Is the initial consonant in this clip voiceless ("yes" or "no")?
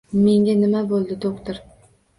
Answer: no